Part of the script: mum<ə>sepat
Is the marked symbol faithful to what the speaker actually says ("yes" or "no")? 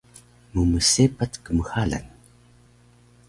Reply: yes